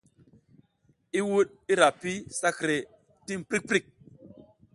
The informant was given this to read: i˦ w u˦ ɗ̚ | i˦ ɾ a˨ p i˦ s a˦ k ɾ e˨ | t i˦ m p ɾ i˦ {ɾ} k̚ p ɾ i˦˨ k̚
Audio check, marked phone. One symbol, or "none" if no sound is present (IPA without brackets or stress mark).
none